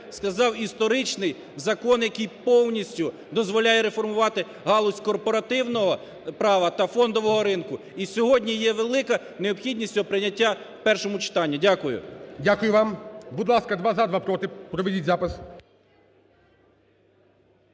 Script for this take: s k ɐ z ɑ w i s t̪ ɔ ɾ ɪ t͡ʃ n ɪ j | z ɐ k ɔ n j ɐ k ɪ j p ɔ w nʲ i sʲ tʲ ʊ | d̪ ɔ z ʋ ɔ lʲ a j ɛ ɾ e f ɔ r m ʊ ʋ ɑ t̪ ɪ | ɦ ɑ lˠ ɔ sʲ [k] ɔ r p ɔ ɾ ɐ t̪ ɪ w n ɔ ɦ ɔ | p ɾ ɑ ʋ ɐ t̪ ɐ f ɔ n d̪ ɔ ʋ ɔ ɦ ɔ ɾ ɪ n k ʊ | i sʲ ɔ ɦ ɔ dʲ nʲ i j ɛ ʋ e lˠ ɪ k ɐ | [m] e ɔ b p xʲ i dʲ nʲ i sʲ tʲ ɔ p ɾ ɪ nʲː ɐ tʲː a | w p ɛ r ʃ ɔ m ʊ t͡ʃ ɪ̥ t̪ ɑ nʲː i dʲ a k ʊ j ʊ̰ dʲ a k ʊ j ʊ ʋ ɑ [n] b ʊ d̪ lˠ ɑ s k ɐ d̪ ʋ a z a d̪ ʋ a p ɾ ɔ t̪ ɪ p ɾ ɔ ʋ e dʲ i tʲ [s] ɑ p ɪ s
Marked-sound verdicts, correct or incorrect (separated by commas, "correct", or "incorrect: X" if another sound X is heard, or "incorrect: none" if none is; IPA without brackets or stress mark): correct, incorrect: n, incorrect: m, incorrect: z